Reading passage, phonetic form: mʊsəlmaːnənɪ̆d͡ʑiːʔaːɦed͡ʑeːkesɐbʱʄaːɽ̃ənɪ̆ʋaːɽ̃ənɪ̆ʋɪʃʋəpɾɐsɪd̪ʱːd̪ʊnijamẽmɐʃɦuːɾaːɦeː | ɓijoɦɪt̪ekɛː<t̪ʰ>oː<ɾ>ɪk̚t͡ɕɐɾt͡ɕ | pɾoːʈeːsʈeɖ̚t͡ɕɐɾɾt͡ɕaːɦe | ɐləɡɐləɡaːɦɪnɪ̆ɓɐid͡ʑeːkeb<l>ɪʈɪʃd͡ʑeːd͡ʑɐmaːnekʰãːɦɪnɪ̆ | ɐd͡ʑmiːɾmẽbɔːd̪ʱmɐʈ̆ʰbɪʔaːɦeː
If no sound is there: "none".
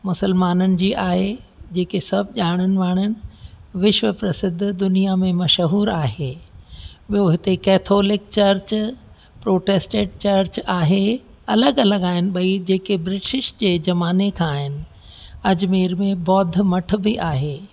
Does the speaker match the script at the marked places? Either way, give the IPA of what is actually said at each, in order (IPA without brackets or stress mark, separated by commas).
t̪ʰ, l, ɾ